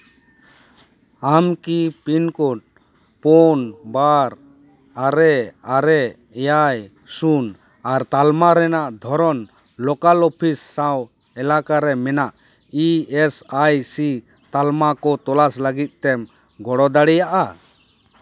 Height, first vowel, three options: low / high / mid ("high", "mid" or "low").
low